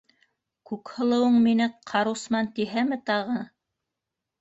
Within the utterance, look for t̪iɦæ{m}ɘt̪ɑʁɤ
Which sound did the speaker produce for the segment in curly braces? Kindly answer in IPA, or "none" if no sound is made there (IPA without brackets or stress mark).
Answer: m